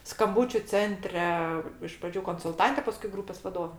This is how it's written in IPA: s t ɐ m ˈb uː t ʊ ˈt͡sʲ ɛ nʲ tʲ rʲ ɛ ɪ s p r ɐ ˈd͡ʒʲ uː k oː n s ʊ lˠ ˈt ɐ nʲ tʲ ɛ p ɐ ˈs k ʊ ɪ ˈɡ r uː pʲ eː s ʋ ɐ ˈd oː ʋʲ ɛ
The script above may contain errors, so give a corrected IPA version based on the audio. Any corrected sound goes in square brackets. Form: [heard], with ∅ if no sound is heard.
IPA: s [k] ɐ m ˈb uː [t͡ʃʲ] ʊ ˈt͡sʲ ɛ nʲ tʲ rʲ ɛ ɪ [ʃ] p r ɐ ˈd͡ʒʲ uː k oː n s ʊ lˠ ˈt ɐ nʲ tʲ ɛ p ɐ ˈs k ʊ ɪ ˈɡ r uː pʲ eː s ʋ ɐ ˈd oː ʋʲ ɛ